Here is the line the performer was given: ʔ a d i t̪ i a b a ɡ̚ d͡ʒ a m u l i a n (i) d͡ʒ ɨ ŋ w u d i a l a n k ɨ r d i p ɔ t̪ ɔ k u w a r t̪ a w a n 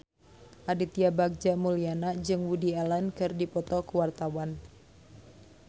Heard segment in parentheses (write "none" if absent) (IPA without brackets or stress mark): a